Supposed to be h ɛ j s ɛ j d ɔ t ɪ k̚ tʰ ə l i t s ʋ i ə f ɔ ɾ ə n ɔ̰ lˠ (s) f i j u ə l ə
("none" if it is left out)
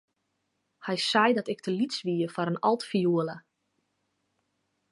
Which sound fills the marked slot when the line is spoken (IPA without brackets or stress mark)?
t